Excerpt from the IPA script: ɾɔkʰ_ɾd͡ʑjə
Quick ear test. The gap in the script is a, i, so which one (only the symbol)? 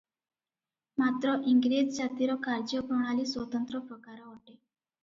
a